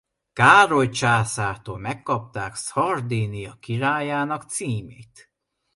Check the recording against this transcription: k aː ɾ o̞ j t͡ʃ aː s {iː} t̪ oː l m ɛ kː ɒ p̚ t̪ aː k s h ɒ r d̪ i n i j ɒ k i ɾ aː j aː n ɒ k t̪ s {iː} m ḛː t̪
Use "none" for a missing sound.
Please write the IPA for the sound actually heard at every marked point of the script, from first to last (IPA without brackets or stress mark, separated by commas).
aː, iː